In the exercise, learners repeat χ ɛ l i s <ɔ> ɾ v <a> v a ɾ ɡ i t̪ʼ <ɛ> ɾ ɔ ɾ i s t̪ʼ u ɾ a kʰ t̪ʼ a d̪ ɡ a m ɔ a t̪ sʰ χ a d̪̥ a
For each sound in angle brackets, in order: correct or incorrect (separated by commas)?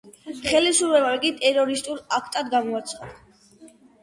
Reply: incorrect, incorrect, correct